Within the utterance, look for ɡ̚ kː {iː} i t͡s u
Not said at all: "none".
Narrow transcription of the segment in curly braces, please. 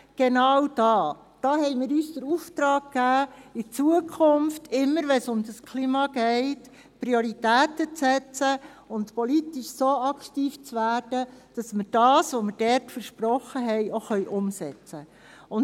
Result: æː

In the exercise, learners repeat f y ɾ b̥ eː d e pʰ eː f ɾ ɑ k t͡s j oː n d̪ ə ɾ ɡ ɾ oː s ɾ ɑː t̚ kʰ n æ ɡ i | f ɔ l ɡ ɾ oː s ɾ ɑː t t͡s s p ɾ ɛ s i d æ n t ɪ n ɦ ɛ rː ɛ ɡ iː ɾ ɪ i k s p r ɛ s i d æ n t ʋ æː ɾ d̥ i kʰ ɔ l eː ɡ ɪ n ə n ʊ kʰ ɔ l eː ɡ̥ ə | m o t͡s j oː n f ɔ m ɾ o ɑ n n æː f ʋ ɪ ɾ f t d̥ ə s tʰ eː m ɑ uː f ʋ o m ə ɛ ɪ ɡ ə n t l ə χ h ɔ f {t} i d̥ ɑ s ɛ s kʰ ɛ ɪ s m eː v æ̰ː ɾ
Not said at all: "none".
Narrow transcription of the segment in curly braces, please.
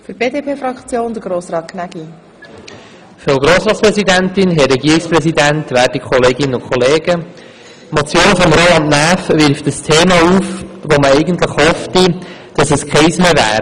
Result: t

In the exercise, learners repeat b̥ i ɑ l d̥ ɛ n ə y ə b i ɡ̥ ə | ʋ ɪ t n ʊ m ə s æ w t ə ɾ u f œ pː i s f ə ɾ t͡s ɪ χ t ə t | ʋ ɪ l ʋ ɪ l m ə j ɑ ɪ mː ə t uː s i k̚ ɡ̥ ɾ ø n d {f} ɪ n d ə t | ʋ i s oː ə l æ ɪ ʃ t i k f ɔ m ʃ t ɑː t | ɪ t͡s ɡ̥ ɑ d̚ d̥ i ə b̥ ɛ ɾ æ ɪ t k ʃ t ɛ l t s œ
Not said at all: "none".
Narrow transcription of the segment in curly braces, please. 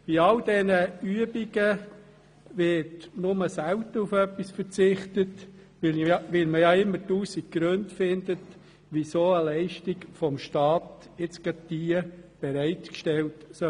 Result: f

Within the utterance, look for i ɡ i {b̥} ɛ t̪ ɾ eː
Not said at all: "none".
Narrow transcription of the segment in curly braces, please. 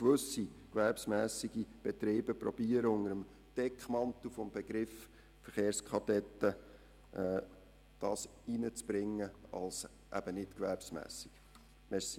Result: b̥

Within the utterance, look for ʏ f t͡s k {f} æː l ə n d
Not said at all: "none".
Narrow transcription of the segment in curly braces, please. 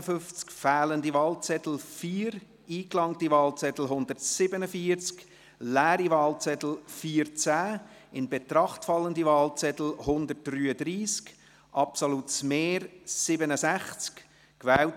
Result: f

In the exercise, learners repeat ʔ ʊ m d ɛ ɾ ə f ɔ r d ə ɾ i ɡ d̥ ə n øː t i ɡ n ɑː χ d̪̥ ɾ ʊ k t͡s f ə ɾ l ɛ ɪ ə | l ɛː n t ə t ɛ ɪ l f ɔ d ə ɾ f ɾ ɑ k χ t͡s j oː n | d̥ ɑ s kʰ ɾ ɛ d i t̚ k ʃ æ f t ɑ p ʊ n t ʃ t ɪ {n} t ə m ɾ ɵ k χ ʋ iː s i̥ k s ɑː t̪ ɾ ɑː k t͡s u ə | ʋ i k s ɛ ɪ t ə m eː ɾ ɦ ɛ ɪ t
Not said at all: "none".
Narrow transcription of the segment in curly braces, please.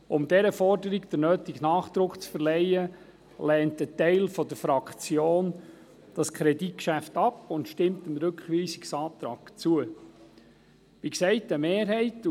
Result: m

